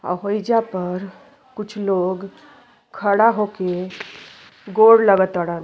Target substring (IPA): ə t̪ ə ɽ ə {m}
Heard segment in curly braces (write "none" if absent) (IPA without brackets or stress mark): n